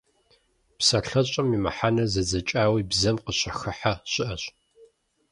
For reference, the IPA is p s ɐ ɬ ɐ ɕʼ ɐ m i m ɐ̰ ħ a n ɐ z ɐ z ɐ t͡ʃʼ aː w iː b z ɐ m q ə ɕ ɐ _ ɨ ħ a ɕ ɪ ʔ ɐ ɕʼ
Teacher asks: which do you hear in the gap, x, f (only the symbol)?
x